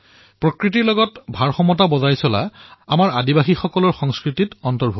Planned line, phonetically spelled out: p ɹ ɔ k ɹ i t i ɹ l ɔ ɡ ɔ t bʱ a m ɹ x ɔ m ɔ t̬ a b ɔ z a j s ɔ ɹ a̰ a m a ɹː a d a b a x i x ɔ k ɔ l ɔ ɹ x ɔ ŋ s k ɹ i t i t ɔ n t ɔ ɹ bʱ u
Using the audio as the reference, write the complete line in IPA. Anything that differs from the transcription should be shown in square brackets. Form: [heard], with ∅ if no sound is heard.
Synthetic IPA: p ɹ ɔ k ɹ i t i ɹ l ɔ ɡ ɔ t bʱ a [∅] ɹ x ɔ m ɔ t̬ a b ɔ z a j s ɔ [l] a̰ a m a [ɹ] a d [i] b a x i x ɔ k ɔ l ɔ ɹ x ɔ ŋ s k ɹ i t i t ɔ n t ɔ ɹ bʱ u